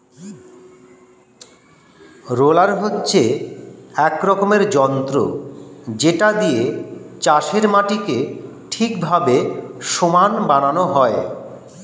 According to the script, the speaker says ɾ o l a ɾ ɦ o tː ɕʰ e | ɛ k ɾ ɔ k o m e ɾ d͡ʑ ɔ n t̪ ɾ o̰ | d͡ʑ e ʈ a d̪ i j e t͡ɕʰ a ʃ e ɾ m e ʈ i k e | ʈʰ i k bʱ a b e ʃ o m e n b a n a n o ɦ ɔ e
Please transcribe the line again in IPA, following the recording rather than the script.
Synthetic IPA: ɾ o l a ɾ ɦ o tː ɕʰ e | ɛ k ɾ ɔ k o m e ɾ d͡ʑ ɔ n t̪ ɾ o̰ | d͡ʑ e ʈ a d̪ i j e t͡ɕ a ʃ e ɾ m a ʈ i k e | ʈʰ i k bʱ a b e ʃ o m a n b a n a n o ɦ ɔ e